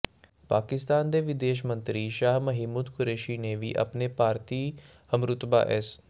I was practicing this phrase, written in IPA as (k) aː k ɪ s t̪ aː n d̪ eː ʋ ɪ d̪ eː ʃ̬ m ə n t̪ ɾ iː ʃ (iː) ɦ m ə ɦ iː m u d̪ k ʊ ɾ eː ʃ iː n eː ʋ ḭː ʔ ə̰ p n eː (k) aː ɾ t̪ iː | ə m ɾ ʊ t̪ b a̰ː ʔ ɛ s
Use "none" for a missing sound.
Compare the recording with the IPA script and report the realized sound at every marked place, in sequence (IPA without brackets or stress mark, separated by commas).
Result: p, aː, p